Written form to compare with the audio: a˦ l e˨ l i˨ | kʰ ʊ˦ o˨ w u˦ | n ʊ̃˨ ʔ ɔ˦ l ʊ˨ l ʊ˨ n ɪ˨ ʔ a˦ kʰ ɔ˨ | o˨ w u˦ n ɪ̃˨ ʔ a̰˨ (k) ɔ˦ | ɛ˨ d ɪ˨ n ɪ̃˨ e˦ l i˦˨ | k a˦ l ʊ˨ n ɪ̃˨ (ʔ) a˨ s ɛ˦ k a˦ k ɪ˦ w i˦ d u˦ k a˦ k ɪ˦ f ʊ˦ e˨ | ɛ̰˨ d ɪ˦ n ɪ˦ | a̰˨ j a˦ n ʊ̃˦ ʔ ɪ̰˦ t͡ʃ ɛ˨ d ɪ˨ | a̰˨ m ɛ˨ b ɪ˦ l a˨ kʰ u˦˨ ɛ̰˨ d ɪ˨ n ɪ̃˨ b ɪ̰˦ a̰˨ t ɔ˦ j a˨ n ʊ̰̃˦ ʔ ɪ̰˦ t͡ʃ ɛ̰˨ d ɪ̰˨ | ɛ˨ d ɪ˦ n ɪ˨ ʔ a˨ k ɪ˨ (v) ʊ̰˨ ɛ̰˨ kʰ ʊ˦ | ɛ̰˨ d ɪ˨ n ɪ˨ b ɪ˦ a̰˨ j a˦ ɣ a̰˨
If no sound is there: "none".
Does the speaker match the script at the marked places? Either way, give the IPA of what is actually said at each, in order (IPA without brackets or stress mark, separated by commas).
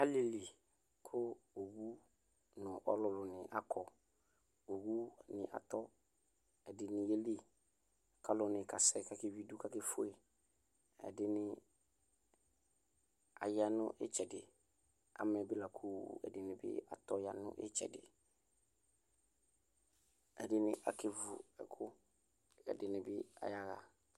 t, k, v